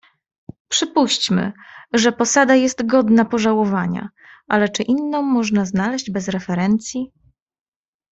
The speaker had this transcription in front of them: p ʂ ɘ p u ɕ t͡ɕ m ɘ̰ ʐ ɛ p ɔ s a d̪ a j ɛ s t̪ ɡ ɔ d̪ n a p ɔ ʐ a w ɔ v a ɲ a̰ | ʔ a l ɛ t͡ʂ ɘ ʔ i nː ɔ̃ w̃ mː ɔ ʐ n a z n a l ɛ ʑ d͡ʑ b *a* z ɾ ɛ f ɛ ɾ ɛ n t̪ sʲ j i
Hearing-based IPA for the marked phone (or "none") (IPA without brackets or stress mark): ɛ